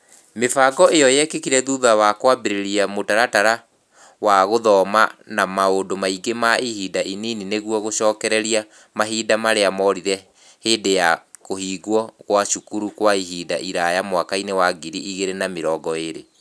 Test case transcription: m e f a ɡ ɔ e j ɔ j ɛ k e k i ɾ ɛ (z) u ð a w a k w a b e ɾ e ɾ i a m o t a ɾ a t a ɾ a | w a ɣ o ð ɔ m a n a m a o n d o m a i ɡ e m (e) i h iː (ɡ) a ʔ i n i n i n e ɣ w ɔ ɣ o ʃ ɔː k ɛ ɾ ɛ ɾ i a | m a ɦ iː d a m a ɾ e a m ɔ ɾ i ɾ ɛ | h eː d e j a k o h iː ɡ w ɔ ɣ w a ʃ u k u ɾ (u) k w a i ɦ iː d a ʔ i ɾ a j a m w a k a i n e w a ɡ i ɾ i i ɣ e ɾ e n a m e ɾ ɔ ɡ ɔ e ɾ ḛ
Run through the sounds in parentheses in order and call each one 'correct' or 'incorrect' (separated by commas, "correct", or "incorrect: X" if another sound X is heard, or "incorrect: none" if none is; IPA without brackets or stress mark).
incorrect: ð, incorrect: a, incorrect: d, correct